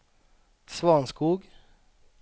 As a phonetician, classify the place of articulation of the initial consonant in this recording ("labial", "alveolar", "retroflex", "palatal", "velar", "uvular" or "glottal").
alveolar